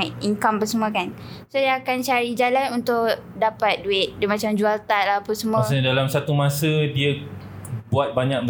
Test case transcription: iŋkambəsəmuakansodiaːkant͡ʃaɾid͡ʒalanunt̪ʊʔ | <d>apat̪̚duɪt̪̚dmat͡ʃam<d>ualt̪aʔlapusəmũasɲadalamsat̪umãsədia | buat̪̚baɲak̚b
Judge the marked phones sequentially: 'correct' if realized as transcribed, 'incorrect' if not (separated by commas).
correct, incorrect